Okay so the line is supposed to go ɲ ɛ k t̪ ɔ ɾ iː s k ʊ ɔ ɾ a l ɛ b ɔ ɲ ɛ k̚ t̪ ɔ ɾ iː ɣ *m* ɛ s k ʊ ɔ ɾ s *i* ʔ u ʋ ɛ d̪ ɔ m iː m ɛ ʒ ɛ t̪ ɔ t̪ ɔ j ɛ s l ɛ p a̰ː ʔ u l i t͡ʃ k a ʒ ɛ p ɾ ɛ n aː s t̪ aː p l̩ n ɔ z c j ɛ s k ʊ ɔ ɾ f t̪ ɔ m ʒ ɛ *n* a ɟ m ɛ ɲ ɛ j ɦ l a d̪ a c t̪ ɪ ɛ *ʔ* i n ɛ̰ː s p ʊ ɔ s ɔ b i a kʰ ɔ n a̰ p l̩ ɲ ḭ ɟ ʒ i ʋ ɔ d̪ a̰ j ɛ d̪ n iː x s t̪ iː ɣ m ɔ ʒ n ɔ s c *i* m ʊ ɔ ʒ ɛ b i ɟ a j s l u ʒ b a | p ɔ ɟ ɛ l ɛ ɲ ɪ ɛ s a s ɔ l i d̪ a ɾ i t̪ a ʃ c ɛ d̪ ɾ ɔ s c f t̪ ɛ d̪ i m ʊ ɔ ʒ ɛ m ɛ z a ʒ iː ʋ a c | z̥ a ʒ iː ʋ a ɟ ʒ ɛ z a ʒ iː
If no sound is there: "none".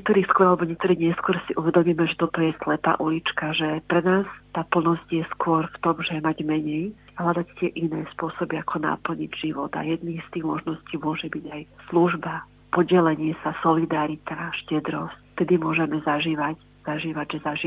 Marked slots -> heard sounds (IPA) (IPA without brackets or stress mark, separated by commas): ɲ, i, m, ʔ, iː